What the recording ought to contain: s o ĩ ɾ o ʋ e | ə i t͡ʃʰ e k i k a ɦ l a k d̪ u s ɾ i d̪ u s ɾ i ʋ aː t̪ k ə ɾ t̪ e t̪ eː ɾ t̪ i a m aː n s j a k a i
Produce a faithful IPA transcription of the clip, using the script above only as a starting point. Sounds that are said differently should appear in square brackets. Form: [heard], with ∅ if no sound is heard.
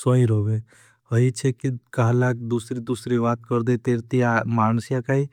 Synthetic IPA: s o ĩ ɾ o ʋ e | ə i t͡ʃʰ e k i k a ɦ l a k d̪ u s ɾ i d̪ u s ɾ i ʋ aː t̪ k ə ɾ [d̪] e t̪ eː ɾ t̪ i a m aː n s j a k a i